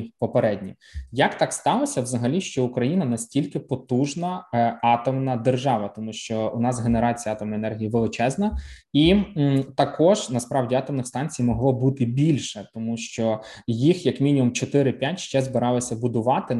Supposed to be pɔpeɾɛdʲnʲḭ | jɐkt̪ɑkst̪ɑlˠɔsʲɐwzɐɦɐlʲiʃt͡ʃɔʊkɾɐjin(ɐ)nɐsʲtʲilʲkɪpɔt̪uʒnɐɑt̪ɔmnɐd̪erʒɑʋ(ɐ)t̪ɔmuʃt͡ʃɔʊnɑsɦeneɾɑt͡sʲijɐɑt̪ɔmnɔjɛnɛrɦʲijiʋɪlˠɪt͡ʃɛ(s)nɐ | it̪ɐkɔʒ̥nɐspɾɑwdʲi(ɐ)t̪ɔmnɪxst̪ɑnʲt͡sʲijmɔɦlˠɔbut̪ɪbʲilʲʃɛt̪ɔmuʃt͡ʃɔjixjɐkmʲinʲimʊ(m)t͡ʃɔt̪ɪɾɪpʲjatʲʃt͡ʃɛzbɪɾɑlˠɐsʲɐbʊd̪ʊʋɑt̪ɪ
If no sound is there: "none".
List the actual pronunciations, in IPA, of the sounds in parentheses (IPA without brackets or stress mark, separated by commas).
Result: ɐ, ɐ, z, ɑ, m